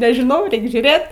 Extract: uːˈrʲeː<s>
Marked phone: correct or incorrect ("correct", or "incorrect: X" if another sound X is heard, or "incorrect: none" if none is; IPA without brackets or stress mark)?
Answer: incorrect: t